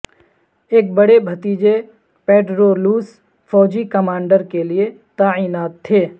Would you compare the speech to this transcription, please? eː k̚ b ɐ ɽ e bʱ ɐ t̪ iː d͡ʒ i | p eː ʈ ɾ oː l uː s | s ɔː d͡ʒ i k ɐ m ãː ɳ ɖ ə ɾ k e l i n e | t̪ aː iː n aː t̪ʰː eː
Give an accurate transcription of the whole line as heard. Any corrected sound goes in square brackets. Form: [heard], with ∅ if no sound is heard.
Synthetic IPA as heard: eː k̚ b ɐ ɽ e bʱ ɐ t̪ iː d͡ʒ [e] | p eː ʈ ɾ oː l uː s | [f] ɔː d͡ʒ i k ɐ m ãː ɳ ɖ ə ɾ k e l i [∅] e | t̪ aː iː n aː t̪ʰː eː